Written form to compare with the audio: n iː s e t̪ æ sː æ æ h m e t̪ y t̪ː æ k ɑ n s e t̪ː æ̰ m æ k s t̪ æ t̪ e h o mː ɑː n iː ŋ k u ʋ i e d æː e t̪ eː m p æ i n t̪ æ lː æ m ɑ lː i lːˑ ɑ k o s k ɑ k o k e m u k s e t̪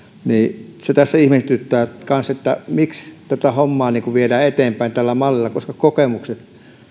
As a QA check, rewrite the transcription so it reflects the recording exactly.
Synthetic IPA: n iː s e t̪ æ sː æ i h m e t̪ y t̪ː æː k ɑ n s e t̪ː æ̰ m i k s t̪ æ t̪ æ h o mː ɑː n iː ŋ k u ʋ i e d æː e t̪ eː m p æ i n t̪ æ lː æ m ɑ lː i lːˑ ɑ k o s k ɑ k o k e m u k s e t̪